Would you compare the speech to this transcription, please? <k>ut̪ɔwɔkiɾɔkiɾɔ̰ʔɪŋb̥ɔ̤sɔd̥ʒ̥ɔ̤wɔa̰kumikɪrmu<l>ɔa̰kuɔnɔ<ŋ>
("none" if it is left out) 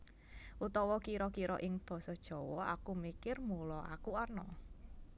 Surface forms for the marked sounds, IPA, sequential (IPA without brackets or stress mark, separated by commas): ʔ, l, none